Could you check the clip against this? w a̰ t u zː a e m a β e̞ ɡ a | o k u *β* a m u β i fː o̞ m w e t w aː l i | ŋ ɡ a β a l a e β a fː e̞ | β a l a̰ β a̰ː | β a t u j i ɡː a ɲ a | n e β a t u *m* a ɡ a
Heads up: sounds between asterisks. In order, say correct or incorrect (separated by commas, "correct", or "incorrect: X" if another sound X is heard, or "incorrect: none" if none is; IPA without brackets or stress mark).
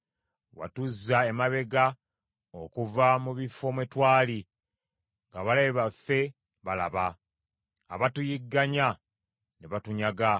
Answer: incorrect: v, incorrect: ɲ